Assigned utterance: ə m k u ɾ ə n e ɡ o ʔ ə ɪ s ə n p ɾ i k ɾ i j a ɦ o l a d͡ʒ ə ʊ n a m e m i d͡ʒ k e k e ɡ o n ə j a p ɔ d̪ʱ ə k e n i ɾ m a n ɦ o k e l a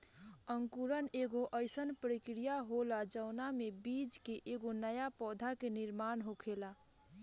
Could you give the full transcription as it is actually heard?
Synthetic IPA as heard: ə ŋ k u ɾ ə n e ɡ o ʔ ə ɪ s ə n p ɾ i k ɾ i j a ɦ o l a d͡ʒ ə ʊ n a m e b i d͡ʒ k e ʔ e ɡ o n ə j a p ɔ d̪ʱ a k e n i ɾ m a n ɦ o kʰ e l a